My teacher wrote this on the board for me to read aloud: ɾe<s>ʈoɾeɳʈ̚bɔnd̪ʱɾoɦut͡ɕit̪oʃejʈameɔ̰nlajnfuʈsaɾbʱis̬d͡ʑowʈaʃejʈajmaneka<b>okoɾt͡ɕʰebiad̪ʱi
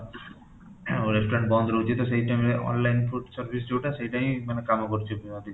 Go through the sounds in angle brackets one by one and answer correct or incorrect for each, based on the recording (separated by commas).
correct, incorrect